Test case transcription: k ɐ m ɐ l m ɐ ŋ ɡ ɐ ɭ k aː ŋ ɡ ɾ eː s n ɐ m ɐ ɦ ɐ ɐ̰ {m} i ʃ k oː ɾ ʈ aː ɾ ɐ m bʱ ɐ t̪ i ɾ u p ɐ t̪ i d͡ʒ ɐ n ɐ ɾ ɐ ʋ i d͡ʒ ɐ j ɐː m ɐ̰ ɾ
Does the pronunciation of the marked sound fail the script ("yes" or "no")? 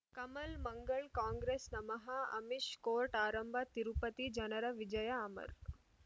no